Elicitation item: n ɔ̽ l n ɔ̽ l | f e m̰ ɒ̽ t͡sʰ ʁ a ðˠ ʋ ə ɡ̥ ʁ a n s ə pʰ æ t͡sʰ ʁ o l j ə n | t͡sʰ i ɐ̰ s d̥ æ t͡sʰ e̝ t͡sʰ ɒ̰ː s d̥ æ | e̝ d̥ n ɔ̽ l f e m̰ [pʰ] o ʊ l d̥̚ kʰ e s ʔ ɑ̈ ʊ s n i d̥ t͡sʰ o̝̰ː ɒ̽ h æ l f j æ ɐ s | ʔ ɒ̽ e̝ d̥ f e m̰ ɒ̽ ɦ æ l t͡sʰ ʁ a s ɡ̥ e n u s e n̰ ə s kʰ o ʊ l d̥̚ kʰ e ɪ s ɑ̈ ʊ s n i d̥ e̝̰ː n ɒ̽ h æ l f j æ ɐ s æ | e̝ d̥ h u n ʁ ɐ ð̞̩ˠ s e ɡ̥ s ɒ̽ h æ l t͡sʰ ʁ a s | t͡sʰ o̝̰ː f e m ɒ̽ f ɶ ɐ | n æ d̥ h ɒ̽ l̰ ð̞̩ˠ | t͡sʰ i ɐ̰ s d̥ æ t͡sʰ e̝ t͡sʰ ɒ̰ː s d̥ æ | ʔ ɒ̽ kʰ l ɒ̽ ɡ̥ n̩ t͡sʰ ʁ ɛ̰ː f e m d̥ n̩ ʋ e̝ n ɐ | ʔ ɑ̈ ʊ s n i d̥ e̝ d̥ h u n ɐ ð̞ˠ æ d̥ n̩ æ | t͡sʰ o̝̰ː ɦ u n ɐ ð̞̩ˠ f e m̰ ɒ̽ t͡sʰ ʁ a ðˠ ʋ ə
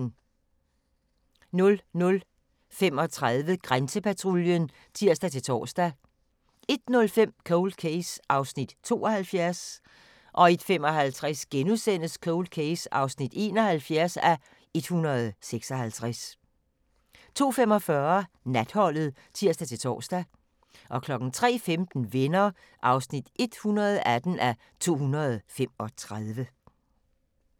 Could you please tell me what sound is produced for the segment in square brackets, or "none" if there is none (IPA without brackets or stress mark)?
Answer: kʰ